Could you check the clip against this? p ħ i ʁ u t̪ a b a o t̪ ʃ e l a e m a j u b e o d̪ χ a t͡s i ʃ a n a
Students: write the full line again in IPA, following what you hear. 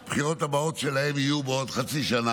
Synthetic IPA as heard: p χ i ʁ o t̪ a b a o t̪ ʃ e l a e m i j u b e o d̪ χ a t͡s i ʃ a n a